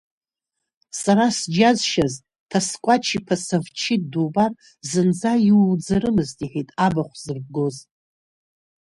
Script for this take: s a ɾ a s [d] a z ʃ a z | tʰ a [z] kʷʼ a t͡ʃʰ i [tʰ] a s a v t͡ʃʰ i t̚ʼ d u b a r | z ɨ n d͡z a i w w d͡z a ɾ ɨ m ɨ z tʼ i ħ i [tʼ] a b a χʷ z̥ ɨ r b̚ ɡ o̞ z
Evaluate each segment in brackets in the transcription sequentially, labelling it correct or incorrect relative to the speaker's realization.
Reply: incorrect: d͡ʒ, incorrect: s, incorrect: pʰ, correct

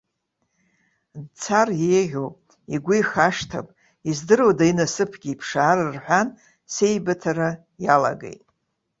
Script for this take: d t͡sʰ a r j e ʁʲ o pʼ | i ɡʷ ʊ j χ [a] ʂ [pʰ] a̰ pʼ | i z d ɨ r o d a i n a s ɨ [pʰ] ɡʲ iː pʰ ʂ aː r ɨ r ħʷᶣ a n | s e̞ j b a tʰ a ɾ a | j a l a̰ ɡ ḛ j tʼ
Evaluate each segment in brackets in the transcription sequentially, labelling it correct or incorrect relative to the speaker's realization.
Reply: correct, incorrect: tʰ, correct

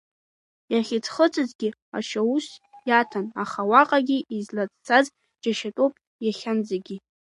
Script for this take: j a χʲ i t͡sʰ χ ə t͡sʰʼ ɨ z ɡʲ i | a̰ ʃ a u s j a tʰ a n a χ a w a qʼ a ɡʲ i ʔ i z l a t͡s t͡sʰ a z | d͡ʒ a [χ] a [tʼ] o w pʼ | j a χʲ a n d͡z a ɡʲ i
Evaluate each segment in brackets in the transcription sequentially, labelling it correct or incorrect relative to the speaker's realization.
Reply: incorrect: ʃ, correct

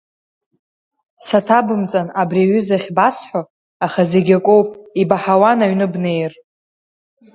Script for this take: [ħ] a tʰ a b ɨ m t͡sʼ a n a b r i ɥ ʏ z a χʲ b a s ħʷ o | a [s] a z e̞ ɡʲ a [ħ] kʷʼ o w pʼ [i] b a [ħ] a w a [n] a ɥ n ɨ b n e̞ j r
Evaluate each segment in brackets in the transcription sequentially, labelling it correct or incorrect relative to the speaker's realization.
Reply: incorrect: s, incorrect: χ, incorrect: none, correct, correct, correct

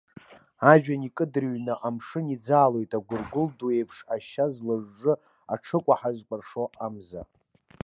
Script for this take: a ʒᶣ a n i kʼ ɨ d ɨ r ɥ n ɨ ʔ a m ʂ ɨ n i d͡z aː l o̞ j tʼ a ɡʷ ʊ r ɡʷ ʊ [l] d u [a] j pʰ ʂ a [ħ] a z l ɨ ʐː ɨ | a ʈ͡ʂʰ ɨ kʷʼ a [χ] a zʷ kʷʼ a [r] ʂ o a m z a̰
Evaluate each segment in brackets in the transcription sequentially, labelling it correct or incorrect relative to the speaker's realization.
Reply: correct, incorrect: e, incorrect: ʃ, incorrect: ħ, correct

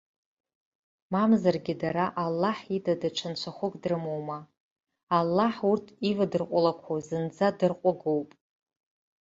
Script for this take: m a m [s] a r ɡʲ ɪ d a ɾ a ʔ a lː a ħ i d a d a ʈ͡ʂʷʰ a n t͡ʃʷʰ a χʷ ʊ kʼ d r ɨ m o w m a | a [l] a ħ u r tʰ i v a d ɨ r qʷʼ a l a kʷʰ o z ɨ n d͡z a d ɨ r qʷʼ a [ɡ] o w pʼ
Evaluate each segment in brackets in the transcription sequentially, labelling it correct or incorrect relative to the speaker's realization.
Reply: incorrect: z, incorrect: lː, correct

